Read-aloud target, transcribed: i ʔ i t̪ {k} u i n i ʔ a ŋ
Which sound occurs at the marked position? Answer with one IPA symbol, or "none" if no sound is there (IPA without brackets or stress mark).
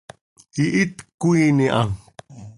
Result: k